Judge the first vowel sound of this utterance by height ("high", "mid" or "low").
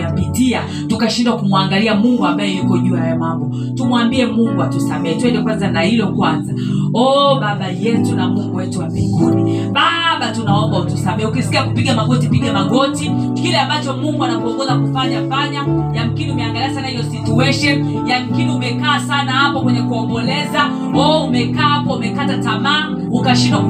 high